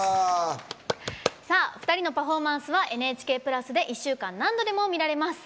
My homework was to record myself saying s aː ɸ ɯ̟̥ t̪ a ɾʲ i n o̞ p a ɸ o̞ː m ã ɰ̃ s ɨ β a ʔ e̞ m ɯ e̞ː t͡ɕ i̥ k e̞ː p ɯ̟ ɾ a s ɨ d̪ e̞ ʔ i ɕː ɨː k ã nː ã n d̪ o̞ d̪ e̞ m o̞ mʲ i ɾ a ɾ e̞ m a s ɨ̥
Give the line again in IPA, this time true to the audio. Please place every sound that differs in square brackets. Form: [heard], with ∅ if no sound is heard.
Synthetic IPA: s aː ɸ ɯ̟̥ t̪ a ɾʲ i n o̞ p a ɸ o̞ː m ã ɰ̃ s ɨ β a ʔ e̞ [n] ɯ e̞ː t͡ɕ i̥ k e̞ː p ɯ̟ ɾ a s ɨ d̪ e̞ ʔ i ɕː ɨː k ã nː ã n d̪ o̞ d̪ e̞ m o̞ mʲ i ɾ a ɾ e̞ m a s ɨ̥